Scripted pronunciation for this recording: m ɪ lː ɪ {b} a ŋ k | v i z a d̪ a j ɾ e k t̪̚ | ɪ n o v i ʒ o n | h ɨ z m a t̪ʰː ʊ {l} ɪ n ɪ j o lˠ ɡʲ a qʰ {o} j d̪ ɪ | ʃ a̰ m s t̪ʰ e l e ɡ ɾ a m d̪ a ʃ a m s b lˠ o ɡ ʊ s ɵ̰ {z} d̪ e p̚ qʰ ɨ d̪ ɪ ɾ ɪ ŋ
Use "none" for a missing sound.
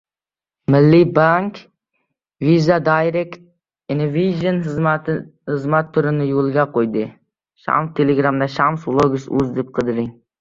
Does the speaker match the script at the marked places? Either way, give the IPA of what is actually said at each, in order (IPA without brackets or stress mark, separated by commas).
b, ɾ, o, z